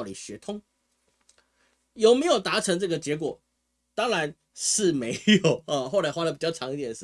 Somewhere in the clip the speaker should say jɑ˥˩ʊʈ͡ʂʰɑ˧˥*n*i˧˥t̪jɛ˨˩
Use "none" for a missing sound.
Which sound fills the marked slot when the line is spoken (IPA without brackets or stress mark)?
ŋ